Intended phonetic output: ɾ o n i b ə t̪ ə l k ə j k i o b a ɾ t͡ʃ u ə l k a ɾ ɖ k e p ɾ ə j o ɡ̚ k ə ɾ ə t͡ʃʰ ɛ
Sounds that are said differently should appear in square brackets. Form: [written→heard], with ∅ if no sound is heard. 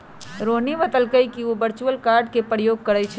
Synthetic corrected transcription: ɾ o n i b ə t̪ ə l k ə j k i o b [a→ə] ɾ t͡ʃ u ə l k a ɾ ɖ k e p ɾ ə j o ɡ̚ k ə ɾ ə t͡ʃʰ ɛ